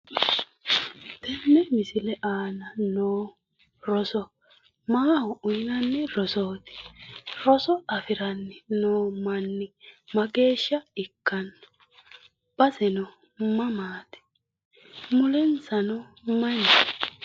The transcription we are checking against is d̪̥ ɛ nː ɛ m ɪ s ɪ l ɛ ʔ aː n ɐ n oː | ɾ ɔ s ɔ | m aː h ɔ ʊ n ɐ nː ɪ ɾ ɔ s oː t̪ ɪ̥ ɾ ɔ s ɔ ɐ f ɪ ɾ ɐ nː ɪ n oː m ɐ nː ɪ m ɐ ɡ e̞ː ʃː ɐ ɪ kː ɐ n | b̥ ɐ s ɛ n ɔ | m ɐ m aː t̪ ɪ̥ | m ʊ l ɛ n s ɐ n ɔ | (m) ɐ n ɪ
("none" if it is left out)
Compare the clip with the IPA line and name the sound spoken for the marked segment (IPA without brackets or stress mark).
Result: m